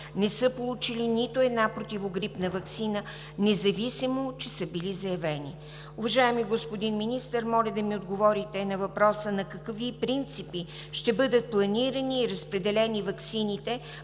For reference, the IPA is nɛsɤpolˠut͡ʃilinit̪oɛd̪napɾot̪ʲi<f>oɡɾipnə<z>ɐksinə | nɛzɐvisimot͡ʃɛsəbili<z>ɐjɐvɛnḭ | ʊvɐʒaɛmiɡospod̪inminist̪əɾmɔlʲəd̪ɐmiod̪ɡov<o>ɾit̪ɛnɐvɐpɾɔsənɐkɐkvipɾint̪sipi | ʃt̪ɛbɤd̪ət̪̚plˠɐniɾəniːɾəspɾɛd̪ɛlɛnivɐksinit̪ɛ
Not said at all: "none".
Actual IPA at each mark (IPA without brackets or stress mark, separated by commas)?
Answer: v, v, z, ɔ